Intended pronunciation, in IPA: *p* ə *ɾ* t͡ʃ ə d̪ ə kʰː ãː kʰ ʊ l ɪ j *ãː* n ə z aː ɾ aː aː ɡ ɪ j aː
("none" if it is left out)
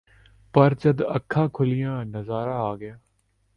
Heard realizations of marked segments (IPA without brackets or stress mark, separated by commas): p, ɾ, ãː